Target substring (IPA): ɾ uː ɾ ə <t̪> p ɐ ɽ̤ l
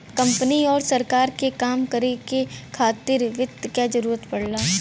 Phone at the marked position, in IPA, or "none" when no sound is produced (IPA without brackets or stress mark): t̪